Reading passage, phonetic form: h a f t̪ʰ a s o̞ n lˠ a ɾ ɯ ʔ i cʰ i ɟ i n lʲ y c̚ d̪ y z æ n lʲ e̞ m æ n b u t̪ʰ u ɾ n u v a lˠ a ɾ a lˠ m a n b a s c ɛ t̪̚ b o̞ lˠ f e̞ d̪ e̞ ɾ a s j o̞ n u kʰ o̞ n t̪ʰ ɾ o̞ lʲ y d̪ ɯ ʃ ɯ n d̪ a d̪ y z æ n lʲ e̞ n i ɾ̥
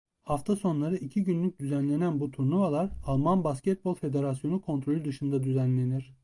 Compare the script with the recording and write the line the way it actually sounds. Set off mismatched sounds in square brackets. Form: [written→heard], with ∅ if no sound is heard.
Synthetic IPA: h a f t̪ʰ a s o̞ n lˠ a ɾ ɯ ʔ i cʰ i ɟ [i→y] n lʲ y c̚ d̪ y z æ n lʲ e̞ [m→n] æ n b u t̪ʰ u ɾ n u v a lˠ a ɾ a lˠ m a n b a s c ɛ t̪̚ b o̞ lˠ f e̞ d̪ e̞ ɾ a s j o̞ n u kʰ o̞ n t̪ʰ ɾ o̞ lʲ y d̪ ɯ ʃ ɯ n d̪ a d̪ y z æ n lʲ e̞ n i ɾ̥